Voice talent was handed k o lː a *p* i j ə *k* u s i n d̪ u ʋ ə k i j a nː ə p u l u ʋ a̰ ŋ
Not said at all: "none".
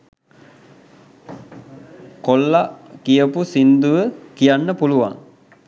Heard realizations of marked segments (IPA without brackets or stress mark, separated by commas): k, p